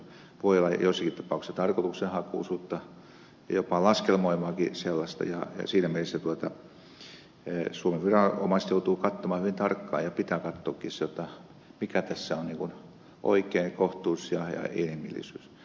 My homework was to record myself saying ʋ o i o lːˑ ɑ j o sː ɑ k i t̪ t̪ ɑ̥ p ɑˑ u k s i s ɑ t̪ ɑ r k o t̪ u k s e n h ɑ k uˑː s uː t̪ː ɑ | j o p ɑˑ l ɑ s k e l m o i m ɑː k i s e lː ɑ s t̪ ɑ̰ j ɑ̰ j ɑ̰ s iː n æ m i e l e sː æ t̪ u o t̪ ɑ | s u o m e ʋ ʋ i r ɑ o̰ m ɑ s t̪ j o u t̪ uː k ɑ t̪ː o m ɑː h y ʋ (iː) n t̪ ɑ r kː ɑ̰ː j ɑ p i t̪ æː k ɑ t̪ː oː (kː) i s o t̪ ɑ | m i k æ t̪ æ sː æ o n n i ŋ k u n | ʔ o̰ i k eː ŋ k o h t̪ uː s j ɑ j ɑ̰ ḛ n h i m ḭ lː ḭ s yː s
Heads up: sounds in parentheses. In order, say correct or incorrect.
incorrect, correct

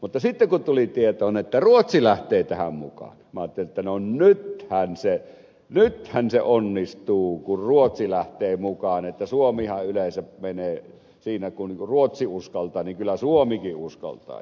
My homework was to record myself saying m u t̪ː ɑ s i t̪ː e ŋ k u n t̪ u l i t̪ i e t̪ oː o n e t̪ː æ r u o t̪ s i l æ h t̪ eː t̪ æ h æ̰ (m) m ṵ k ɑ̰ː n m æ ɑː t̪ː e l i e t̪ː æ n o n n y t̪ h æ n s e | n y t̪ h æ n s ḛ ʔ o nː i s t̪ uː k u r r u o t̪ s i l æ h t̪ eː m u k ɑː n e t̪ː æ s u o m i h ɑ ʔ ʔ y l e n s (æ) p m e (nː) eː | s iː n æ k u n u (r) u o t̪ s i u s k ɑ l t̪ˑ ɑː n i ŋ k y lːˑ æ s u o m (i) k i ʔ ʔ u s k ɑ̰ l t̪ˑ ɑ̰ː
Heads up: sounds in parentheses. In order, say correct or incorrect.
correct, correct, incorrect, correct, correct

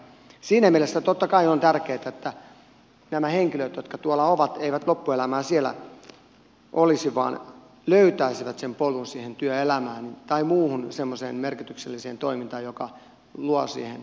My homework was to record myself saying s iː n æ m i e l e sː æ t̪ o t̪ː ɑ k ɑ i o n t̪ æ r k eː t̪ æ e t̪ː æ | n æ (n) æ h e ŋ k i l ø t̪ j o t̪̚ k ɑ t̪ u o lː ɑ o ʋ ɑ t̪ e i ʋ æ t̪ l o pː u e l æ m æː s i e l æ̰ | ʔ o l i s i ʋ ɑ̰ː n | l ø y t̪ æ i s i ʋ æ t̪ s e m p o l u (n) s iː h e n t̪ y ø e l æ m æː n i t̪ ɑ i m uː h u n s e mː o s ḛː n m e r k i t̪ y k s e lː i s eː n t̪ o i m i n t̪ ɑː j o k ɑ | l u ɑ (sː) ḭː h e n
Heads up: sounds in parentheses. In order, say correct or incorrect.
incorrect, correct, incorrect

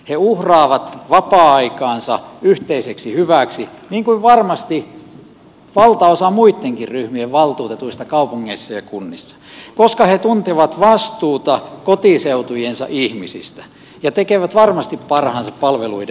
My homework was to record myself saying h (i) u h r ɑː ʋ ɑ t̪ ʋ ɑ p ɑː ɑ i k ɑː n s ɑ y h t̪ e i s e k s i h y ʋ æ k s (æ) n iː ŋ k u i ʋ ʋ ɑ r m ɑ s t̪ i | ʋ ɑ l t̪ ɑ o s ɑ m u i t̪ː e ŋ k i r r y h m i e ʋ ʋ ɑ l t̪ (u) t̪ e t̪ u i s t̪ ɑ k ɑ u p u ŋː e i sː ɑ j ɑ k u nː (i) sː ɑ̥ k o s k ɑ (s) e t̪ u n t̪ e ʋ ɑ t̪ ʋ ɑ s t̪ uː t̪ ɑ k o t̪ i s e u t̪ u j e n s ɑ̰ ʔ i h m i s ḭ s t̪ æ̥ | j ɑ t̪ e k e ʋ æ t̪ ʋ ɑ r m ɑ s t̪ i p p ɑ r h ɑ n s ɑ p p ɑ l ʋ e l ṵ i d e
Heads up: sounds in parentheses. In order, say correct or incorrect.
incorrect, incorrect, incorrect, correct, incorrect

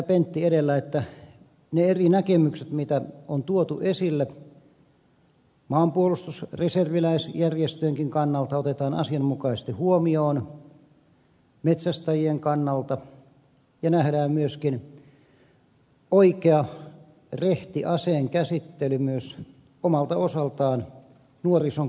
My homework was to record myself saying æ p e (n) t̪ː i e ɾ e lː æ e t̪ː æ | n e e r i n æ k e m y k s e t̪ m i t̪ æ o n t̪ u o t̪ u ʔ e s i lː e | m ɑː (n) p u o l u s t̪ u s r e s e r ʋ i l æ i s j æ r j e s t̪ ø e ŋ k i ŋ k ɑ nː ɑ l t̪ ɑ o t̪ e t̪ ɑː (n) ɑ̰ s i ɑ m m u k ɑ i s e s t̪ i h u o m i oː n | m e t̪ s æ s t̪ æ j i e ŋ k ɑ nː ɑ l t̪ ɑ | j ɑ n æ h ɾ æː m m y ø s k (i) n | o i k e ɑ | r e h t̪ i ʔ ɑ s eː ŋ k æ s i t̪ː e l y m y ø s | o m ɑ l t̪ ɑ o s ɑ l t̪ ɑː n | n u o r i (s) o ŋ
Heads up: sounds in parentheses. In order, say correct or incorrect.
correct, incorrect, correct, correct, correct

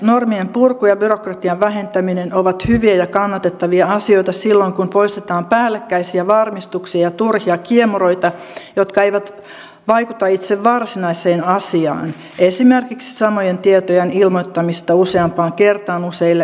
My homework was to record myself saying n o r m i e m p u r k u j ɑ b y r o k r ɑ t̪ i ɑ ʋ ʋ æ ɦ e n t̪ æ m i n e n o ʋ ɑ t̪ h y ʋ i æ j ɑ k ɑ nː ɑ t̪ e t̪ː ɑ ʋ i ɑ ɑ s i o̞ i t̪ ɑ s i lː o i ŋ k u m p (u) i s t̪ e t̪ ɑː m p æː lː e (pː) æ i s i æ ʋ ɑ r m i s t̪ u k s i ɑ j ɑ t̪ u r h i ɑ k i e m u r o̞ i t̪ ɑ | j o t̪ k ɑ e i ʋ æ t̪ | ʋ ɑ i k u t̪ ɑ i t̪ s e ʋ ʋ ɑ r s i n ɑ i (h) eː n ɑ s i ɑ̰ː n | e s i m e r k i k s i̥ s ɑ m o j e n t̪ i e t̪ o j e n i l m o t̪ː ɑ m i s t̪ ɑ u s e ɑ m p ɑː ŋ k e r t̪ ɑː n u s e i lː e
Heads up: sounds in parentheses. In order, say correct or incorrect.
incorrect, incorrect, incorrect

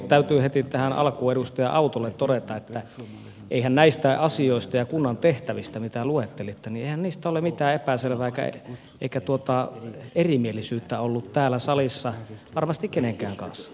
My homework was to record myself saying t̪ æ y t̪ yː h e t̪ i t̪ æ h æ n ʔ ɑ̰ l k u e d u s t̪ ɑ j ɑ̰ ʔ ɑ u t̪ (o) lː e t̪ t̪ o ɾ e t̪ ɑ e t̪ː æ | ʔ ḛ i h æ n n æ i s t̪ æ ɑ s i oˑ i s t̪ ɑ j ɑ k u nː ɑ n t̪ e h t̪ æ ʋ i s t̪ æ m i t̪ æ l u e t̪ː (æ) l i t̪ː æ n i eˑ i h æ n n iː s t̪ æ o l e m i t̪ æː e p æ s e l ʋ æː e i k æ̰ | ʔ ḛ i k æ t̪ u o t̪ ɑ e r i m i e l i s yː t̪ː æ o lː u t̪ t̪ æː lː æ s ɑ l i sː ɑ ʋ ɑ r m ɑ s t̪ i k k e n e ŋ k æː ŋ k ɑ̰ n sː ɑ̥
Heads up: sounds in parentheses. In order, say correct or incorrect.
correct, incorrect

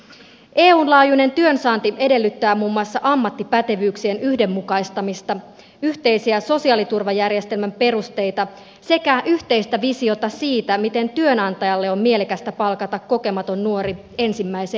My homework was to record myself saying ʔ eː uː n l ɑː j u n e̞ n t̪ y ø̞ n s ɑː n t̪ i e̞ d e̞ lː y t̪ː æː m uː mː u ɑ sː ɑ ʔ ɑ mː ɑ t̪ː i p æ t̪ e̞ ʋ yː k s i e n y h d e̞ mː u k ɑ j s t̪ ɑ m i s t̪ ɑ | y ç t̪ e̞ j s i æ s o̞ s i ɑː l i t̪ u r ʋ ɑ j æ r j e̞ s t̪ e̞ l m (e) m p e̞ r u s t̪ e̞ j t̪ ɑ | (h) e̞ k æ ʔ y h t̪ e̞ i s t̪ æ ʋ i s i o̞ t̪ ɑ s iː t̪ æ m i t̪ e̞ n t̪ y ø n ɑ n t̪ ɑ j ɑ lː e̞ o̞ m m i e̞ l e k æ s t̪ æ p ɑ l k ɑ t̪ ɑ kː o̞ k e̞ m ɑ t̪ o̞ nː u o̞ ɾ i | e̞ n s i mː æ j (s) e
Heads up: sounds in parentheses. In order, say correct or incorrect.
incorrect, incorrect, correct

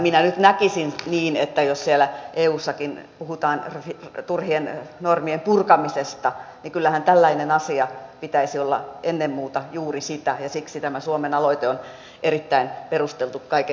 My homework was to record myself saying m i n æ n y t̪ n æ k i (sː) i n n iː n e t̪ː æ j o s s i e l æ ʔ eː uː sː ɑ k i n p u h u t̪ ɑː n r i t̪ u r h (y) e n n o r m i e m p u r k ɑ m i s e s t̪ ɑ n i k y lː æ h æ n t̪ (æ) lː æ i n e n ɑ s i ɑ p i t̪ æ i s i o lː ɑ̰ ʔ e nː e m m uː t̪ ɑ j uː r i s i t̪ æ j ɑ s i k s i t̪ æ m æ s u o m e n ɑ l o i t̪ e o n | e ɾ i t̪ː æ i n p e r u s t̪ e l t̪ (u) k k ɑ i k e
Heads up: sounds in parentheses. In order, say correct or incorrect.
incorrect, incorrect, correct, correct

